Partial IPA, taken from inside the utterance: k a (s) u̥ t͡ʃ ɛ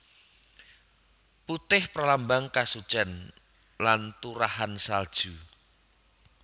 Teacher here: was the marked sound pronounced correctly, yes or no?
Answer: yes